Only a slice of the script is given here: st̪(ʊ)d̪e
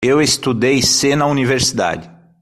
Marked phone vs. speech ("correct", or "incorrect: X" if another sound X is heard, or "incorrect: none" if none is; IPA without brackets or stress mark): incorrect: u